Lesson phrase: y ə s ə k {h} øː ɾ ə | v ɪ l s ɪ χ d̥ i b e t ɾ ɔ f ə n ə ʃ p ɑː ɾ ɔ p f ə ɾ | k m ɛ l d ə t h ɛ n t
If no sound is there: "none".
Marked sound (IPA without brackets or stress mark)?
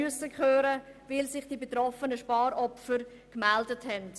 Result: χ